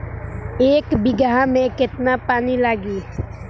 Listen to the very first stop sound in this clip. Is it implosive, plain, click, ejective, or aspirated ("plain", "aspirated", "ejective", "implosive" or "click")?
plain